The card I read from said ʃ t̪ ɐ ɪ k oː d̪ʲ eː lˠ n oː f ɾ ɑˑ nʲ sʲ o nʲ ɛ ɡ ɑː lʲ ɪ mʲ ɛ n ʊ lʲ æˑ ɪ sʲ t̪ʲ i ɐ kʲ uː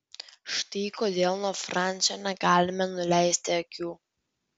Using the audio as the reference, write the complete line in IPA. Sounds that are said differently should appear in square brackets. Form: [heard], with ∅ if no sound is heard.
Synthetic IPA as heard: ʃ t̪ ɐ ɪ k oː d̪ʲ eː lˠ n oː f ɾ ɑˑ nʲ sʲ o nʲ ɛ ɡ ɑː lʲ ɪ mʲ ɛ n ʊ lʲ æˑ ɪ sʲ t̪ʲ [ɪ] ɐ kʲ uː